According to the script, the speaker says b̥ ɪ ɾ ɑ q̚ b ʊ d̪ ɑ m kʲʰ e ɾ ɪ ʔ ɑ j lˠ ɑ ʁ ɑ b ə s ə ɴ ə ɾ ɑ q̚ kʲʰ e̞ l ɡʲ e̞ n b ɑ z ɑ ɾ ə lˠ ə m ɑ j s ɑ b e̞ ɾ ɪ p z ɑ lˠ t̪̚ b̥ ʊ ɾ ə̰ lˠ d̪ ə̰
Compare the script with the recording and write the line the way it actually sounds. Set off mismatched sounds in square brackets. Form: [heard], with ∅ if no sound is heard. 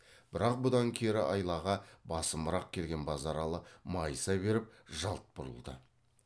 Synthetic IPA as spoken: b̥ ɪ ɾ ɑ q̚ b ʊ d̪ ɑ [ŋ] kʲʰ e ɾ ɪ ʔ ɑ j lˠ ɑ ʁ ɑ b [ɑ] s ə [m] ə ɾ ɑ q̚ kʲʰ e̞ l ɡʲ e̞ n b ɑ z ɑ ɾ [ɑ] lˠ ə m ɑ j s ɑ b e̞ ɾ ɪ p [ʒ] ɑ lˠ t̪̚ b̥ ʊ ɾ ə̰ lˠ d̪ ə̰